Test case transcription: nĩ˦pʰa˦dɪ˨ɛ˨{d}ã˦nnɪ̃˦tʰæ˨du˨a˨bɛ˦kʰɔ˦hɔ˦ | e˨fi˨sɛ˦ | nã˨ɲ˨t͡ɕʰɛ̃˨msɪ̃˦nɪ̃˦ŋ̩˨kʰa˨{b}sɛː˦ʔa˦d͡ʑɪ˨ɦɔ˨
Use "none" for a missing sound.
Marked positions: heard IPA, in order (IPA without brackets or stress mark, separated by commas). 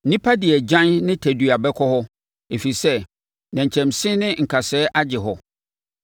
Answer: d͡ʑ, none